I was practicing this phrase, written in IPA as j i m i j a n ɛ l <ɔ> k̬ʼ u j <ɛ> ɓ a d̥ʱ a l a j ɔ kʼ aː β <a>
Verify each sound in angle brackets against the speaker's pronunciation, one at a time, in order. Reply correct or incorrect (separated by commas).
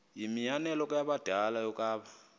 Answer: correct, incorrect, correct